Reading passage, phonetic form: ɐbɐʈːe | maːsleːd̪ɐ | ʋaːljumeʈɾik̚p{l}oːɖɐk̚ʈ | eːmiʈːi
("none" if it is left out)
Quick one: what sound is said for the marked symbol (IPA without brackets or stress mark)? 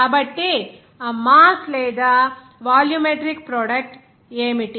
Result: ɾ